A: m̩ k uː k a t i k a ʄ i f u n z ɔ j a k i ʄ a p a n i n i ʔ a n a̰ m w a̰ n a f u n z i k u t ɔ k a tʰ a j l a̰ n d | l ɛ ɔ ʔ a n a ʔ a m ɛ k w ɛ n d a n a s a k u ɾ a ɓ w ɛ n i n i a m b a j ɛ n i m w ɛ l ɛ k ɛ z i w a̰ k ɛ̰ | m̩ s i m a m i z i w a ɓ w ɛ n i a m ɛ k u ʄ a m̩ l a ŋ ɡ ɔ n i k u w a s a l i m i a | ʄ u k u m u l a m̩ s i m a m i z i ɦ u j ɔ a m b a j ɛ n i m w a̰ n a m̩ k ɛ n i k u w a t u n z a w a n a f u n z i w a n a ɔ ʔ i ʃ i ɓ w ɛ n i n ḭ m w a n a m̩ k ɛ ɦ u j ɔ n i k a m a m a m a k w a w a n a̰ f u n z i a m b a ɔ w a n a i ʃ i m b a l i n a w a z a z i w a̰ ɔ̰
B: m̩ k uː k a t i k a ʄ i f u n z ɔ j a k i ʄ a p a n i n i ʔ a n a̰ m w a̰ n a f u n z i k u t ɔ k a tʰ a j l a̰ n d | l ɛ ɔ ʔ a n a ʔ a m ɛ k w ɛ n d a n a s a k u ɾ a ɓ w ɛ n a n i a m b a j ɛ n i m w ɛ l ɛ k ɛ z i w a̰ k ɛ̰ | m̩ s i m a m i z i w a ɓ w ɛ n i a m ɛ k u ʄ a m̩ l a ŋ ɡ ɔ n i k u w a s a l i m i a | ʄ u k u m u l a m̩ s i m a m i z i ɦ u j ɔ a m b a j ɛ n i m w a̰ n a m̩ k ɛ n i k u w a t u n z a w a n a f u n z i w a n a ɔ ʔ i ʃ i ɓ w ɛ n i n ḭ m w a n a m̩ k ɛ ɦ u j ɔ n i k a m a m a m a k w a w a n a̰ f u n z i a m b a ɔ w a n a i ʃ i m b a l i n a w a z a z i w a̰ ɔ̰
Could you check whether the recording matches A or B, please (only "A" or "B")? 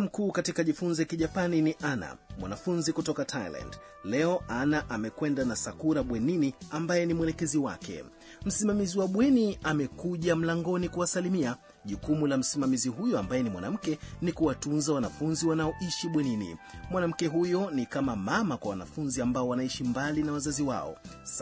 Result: A